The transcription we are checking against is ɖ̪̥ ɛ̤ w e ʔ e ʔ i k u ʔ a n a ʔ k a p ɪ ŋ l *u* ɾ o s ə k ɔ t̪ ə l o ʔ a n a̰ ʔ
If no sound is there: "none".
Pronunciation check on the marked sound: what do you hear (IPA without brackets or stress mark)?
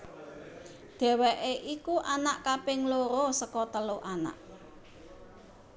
o